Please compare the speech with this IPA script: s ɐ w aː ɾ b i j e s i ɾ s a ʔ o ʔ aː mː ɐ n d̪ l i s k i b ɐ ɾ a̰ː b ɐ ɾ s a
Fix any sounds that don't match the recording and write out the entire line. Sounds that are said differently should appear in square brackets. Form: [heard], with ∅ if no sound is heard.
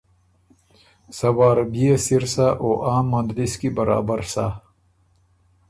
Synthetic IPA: s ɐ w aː ɾ b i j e s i ɾ s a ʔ o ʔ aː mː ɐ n d̪ l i s k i b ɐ ɾ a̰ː b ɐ ɾ s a

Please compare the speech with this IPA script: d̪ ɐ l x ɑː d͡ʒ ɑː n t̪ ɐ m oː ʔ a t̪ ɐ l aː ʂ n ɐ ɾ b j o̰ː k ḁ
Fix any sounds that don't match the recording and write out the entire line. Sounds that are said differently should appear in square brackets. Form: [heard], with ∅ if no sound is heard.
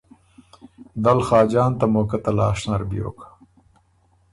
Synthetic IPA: d̪ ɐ l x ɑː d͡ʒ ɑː n t̪ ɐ m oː [k] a t̪ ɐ l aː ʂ n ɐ ɾ b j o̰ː k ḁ

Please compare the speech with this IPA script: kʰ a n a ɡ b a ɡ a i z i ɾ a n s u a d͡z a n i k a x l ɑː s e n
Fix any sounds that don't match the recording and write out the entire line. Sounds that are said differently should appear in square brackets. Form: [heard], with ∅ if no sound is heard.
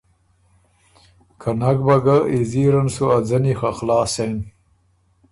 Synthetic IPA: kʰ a n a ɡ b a ɡ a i z i ɾ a n s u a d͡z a n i [x] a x l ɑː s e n

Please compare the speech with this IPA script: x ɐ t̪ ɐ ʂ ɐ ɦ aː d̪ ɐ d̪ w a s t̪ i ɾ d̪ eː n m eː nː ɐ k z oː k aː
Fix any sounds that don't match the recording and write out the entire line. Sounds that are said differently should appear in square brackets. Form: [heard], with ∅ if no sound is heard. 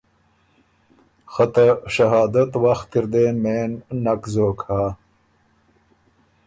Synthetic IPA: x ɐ t̪ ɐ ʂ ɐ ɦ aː d̪ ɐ [t̪] w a [x] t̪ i ɾ d̪ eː n m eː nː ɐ k z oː k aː

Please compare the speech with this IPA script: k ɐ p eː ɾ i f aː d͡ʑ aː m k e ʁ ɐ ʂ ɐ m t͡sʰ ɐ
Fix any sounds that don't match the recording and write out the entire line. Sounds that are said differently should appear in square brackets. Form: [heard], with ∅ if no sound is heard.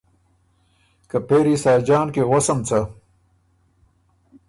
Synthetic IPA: k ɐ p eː ɾ i [s] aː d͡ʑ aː [n] k e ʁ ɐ [s] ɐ m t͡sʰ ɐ

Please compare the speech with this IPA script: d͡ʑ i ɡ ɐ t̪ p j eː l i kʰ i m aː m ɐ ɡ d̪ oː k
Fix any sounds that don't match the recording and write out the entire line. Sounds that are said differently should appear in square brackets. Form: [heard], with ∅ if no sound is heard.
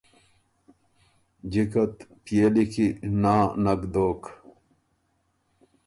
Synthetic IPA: d͡ʑ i [k] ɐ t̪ p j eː l i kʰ i [n] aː [n] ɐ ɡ d̪ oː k

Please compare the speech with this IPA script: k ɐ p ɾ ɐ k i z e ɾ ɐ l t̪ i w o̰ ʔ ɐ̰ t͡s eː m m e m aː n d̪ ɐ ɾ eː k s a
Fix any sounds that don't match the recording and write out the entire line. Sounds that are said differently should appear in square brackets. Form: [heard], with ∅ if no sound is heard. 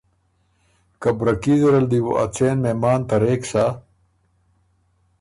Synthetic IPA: k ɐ [b] ɾ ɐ k i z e ɾ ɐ l [d̪] i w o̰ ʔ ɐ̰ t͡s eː [n] m e m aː n [t̪] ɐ ɾ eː k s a

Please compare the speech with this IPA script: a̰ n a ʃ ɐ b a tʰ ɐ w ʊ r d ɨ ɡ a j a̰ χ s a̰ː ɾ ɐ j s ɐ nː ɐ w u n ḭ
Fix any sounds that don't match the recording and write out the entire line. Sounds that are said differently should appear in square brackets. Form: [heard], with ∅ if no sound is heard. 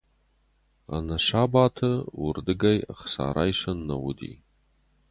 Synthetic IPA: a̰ n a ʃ [a] b a tʰ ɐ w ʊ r d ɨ ɡ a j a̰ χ s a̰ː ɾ [a] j [ʂ] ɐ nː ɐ w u [d] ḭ

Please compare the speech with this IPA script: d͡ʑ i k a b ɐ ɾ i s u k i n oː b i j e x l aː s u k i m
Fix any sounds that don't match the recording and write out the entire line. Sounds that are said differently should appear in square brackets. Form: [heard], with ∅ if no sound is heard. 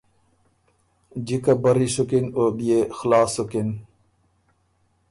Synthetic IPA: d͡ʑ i k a b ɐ ɾ i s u k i n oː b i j e x l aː s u k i [n]

